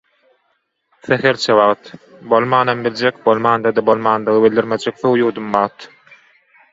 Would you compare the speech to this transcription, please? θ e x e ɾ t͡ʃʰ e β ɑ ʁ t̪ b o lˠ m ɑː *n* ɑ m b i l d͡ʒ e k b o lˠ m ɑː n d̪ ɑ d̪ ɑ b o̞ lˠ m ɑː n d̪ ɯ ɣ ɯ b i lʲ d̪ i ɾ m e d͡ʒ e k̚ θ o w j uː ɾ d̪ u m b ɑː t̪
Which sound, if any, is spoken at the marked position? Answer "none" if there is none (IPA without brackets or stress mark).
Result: n